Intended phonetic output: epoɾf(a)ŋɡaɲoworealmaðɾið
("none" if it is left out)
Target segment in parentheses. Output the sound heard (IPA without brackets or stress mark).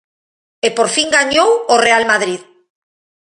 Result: i